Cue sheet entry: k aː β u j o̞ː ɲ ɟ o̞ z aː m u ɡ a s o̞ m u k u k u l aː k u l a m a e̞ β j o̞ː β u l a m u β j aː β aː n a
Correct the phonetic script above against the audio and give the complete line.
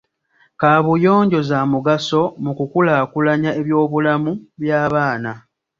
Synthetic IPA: k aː β u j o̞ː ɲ ɟ o̞ z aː m u ɡ a s o̞ m u k u k u l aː k u l a ɲ a e̞ β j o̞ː β u l a m u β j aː β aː n a